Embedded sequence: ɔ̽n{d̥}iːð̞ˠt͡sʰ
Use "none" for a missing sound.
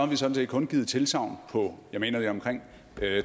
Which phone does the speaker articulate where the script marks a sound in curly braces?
ɡ̥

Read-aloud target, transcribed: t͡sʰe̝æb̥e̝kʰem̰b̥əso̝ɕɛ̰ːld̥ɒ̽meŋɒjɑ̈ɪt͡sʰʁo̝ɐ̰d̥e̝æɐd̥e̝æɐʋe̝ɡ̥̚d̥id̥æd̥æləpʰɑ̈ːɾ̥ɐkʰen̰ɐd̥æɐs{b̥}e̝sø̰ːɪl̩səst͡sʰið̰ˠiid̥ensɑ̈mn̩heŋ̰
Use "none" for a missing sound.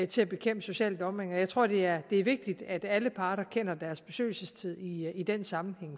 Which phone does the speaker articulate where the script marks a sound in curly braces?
b̥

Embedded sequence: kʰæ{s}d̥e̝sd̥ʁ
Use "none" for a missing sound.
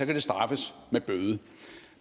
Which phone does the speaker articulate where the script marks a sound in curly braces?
none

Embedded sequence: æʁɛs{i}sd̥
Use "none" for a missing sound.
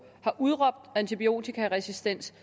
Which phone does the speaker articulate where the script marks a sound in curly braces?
i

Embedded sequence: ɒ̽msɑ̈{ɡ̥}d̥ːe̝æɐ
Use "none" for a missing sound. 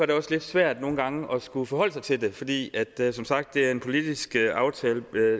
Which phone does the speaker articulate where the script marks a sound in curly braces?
ɡ̥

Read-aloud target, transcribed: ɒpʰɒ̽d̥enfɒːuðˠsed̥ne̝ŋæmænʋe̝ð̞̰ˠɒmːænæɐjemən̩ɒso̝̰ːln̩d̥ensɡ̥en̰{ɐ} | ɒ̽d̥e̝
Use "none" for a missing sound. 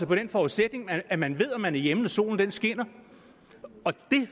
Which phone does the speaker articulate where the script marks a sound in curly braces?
ɐ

